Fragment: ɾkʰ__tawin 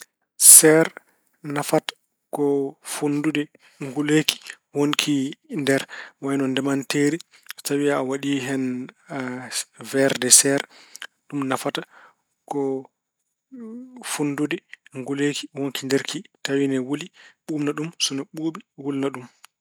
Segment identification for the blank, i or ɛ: i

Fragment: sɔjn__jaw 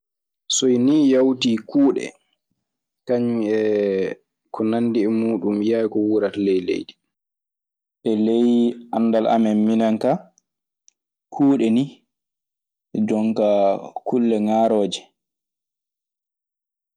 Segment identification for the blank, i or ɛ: i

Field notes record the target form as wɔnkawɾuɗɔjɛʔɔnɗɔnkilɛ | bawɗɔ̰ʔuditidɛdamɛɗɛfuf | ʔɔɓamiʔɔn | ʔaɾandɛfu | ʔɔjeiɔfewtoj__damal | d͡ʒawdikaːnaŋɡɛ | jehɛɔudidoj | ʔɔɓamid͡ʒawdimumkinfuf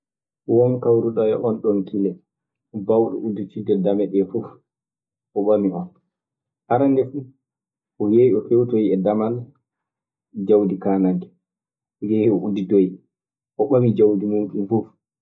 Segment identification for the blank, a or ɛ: ɛ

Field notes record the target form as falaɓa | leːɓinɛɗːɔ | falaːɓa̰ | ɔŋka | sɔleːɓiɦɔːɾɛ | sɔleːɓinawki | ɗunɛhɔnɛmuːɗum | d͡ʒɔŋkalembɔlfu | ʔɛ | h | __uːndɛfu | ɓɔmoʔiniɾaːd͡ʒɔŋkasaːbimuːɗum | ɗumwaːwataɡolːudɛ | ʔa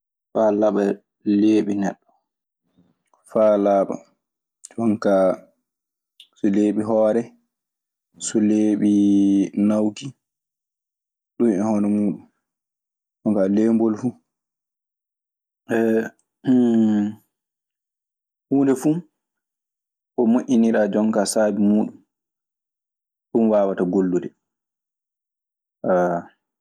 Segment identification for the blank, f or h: h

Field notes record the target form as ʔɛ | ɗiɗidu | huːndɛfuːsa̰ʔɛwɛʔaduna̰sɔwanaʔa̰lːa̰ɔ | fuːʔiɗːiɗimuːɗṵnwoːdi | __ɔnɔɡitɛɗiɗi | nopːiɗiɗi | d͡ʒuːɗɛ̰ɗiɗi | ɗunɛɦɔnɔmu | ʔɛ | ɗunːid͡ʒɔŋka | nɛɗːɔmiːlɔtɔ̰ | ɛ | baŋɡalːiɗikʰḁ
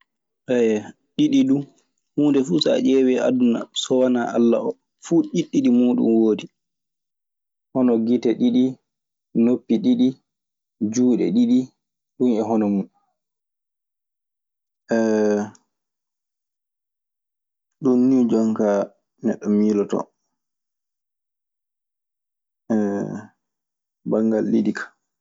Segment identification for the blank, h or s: h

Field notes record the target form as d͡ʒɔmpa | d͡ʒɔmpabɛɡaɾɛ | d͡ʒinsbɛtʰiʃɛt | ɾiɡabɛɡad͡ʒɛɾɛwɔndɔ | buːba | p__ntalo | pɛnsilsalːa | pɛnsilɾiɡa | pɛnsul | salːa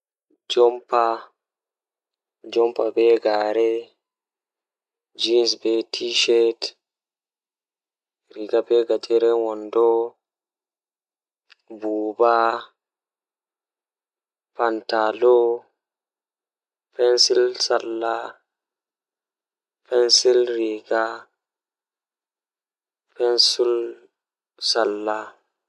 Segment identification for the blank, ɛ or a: a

